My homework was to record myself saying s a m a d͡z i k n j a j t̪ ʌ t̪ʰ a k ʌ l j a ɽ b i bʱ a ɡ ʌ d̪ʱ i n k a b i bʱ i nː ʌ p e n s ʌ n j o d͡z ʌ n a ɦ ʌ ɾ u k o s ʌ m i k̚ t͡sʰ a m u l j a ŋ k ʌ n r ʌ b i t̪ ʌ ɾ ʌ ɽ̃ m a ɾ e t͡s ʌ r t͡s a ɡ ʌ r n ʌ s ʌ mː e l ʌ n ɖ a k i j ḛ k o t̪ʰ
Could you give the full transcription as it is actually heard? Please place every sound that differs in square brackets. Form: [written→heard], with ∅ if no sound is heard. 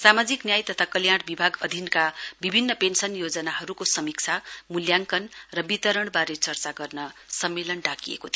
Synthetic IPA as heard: s a m a d͡z i k n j a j t̪ ʌ t̪ʰ a k ʌ l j a ɽ b i bʱ a ɡ ʌ d̪ʱ i n k a b i bʱ i nː ʌ p e n s ʌ n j o d͡z ʌ n a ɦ ʌ ɾ u k o s ʌ m i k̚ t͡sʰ a m u l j a ŋ k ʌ n r ʌ b i t̪ ʌ ɾ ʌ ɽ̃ [m→b] a ɾ e t͡s ʌ r t͡s a ɡ ʌ r n ʌ s ʌ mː e l ʌ n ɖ a k i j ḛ k o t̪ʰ